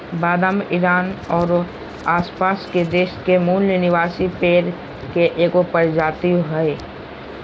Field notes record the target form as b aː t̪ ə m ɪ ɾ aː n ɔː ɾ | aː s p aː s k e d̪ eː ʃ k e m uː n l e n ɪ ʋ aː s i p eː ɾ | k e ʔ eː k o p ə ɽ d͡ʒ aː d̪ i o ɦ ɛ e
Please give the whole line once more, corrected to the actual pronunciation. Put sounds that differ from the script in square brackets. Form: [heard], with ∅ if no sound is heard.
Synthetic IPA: b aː [d̪] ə m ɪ ɾ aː n ɔː ɾ | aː s p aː s k e d̪ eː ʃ k e m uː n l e n ɪ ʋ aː s i p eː ɾ | k e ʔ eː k o p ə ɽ d͡ʒ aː [t̪] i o ɦ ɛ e